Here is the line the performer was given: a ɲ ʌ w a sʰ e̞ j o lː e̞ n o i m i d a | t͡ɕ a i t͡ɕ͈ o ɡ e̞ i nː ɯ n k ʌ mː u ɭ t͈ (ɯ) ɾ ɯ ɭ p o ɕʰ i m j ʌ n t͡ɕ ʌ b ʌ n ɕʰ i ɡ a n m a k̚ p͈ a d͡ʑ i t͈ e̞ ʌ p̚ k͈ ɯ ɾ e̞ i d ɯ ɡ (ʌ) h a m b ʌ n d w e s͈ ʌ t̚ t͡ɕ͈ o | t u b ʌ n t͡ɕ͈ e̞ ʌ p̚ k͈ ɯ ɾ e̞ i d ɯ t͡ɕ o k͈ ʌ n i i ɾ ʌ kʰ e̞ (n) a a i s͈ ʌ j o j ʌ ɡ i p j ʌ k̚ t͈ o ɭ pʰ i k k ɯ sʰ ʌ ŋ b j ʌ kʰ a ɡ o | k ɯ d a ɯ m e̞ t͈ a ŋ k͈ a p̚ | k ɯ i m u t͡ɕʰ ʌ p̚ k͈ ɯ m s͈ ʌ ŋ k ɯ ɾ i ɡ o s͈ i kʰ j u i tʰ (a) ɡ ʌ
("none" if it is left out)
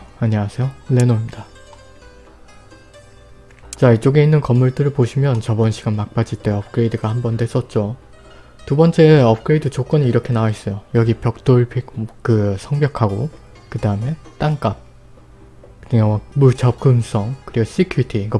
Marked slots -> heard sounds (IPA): ɯ, a, n, i

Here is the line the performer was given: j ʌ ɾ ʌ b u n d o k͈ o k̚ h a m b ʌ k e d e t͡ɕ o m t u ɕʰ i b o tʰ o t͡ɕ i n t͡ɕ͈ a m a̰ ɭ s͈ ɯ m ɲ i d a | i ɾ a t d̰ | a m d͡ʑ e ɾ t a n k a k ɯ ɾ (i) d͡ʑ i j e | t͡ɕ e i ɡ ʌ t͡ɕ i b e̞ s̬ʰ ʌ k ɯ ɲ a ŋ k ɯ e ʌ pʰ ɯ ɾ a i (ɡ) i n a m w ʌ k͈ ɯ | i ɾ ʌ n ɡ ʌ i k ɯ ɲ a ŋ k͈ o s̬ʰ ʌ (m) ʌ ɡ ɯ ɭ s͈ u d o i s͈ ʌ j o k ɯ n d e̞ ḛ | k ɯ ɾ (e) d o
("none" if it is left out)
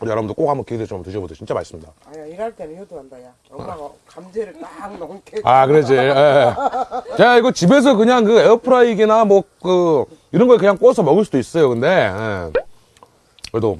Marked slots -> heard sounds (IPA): e, ɡ, m, e

